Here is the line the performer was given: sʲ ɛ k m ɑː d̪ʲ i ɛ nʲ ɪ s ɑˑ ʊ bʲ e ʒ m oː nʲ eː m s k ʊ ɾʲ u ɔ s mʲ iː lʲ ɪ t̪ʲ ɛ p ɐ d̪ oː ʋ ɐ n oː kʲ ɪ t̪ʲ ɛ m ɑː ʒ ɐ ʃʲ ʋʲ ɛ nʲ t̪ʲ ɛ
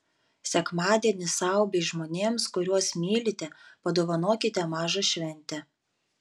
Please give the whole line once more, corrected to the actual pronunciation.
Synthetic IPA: sʲ ɛ k m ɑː d̪ʲ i ɛ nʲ ɪ s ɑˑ ʊ bʲ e ʒ m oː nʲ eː m s k ʊ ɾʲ u ɔ s mʲ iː lʲ ɪ t̪ʲ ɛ p ɐ d̪ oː ʋ ɐ n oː kʲ ɪ t̪ʲ ɛ m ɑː ʒ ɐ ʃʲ ʋʲ ɛ nʲ t̪ʲ ɛ